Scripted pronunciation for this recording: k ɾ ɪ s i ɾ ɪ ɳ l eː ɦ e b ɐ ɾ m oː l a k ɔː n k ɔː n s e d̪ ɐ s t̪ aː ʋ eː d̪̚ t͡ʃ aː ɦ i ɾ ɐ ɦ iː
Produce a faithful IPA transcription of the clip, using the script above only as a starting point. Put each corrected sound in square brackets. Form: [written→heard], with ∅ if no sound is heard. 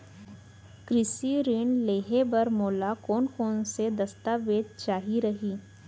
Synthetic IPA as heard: k ɾ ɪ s i ɾ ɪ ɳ l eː ɦ e b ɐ ɾ m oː l a k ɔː n k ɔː n s e d̪ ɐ s t̪ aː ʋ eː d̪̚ t͡ʃ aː ɦ i ɾ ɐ ɦ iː